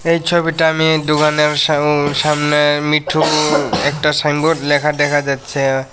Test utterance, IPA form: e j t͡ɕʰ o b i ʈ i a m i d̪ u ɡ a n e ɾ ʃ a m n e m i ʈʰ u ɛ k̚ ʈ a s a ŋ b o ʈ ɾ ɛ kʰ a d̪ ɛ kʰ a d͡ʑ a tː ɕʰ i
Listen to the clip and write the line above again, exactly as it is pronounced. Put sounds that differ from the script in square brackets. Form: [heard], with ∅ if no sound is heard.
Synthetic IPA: e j t͡ɕʰ o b i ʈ [a] a m i d̪ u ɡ a n e ɾ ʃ a m n e m i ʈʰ u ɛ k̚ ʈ a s a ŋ b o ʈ [l] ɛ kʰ a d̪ ɛ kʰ a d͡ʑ a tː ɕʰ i

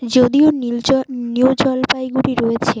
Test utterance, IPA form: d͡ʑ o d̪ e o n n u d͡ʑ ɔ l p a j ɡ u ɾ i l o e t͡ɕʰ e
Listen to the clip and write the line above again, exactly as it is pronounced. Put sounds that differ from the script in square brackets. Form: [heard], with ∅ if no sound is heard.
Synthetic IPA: d͡ʑ o d̪ [i] o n n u d͡ʑ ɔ l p a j ɡ u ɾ i [ɾ] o e t͡ɕʰ e

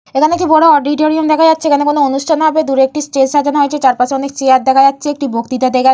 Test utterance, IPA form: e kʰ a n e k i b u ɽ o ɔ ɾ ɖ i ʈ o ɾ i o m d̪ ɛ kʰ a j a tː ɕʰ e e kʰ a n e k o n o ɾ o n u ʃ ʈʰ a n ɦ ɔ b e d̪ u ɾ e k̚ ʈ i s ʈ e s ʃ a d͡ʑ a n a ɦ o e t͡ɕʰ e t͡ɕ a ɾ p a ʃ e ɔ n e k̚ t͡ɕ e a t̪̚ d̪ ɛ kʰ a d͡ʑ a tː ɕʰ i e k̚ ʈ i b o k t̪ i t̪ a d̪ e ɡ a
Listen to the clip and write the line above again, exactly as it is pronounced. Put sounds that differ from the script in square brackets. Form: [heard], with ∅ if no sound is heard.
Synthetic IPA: e kʰ a n e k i b [ɔ] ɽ o ɔ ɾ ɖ i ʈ o ɾ i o m d̪ ɛ kʰ a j a tː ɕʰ e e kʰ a n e k o n o [∅] o n u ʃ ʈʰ a n ɦ ɔ b e d̪ u ɾ e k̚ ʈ i s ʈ e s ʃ a d͡ʑ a n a ɦ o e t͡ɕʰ e t͡ɕ a ɾ p a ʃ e ɔ n e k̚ t͡ɕ e a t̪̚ d̪ ɛ kʰ a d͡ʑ a tː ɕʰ [e] e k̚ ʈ i b o k t̪ i t̪ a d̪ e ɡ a

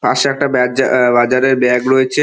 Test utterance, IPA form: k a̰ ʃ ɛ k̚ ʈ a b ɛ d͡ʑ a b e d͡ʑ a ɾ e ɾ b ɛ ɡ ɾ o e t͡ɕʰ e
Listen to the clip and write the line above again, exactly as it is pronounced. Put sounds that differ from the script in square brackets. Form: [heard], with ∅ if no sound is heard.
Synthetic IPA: [p] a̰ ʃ ɛ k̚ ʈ a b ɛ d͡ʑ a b [a] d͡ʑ a ɾ e ɾ b ɛ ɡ ɾ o e t͡ɕʰ e

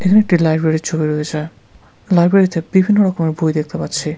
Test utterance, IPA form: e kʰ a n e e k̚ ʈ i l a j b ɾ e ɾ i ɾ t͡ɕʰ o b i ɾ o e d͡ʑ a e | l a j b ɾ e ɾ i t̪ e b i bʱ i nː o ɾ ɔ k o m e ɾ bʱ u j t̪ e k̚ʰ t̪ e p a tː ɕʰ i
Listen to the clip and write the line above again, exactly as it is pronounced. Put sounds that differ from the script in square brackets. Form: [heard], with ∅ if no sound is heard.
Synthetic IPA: e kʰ a n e e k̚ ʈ i l a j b ɾ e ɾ i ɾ t͡ɕʰ o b i ɾ o e d͡ʑ a e | l a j b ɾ e ɾ i t̪ e b i bʱ i nː o ɾ ɔ k o m e ɾ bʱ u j [d̪] e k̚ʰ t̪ e p a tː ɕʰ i

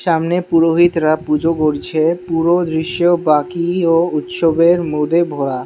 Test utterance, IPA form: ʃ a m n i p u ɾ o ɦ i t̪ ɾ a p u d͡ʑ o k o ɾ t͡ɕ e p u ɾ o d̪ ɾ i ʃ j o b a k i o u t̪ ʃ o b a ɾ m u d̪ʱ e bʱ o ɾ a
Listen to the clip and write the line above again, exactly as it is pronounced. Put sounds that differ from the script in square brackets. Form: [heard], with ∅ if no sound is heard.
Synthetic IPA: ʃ a m n [e] p u ɾ o ɦ i t̪ ɾ a p u d͡ʑ o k o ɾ [t͡ɕʰ] e p u ɾ o d̪ ɾ i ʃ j o b a k i o u t̪ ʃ o b [e] ɾ m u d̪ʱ e bʱ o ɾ a

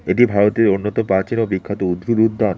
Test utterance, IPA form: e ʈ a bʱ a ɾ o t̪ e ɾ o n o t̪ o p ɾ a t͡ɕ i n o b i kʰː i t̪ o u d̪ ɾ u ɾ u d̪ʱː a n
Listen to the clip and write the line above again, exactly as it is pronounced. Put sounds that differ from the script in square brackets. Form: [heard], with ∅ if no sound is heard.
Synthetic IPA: e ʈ [i] bʱ a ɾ o t̪ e ɾ o [nː] o t̪ o p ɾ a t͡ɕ i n o b i kʰː [a] t̪ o u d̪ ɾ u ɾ u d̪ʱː a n

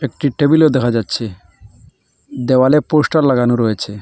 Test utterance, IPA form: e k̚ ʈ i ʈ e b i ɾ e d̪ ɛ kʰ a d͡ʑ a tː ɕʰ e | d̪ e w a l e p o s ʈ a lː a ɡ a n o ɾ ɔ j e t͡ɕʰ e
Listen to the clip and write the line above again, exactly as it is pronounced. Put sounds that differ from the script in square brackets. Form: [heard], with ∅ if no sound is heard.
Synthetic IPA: e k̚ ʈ i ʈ e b i [l] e d̪ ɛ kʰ a d͡ʑ a tː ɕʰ e | d̪ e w a l e p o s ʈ a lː a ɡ a n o ɾ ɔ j e t͡ɕʰ e

